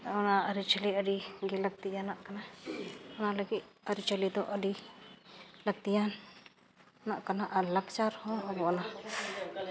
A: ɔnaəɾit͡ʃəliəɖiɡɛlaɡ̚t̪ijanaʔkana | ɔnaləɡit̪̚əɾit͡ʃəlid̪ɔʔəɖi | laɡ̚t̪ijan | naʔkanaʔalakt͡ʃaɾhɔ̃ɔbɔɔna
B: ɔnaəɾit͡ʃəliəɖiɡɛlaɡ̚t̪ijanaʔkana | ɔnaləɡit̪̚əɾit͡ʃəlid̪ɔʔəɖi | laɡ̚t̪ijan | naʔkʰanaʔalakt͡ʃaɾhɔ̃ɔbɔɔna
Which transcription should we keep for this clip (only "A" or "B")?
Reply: A